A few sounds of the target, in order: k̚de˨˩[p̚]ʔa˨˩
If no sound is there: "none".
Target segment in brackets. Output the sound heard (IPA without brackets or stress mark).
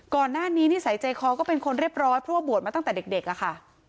k̚